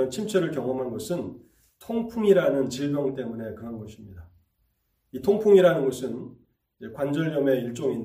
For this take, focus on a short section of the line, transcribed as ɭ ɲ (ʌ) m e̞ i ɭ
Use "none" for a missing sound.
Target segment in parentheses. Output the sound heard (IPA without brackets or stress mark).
ʌ